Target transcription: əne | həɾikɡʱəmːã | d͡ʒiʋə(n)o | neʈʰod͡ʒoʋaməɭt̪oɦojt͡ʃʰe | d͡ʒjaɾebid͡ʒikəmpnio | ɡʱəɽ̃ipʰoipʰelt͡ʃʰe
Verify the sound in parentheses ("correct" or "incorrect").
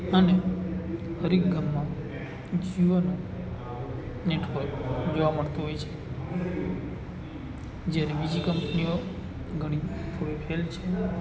correct